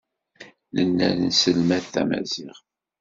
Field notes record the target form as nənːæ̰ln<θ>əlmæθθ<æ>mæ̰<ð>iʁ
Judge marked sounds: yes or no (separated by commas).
no, yes, no